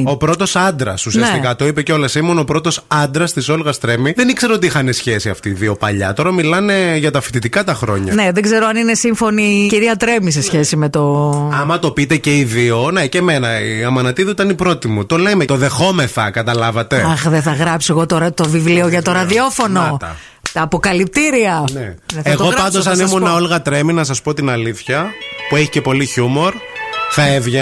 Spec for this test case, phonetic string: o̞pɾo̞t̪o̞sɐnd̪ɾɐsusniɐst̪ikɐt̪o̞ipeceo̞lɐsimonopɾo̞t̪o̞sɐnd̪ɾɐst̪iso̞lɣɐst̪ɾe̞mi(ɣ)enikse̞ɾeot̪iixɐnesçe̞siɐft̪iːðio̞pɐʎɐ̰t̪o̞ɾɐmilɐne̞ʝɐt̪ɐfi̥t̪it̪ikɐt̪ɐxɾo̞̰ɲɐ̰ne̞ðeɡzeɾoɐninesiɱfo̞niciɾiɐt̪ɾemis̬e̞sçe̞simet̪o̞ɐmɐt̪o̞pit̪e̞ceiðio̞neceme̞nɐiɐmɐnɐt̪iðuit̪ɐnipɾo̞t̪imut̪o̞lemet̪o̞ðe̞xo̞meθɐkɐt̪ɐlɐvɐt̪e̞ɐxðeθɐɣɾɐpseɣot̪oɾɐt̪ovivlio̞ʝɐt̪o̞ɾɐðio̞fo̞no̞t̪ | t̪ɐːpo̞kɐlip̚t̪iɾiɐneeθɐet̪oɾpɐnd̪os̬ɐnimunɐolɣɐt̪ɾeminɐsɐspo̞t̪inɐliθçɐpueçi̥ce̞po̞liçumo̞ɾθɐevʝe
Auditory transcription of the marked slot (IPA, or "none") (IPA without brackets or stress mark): ð